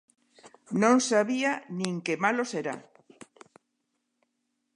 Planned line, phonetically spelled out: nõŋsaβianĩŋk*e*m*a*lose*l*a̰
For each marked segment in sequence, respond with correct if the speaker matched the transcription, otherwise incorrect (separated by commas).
correct, correct, incorrect